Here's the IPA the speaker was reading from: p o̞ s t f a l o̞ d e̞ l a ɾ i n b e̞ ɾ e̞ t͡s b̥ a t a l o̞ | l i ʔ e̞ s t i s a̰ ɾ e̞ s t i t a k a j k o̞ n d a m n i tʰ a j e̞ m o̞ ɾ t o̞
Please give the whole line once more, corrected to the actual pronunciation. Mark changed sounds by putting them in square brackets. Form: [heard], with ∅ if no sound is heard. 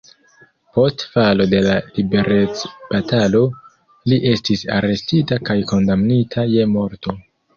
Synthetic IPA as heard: p o̞ s t f a l o̞ d e̞ l a [l] i [∅] b e̞ ɾ e̞ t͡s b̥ a t a l o̞ | l i ʔ e̞ s t i s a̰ ɾ e̞ s t i t a k a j k o̞ n d a m n i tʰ a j e̞ m o̞ ɾ t o̞